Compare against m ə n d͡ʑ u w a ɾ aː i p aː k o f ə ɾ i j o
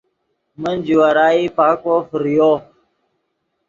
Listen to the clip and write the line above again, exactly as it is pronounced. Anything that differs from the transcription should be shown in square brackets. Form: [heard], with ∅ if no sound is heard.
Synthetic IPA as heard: m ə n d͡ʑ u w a ɾ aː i p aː k o f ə ɾ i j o